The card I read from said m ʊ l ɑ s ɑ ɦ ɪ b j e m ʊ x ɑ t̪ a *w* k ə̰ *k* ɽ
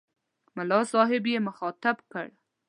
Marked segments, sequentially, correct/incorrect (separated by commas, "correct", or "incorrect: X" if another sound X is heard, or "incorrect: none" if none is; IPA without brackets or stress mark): incorrect: b, incorrect: none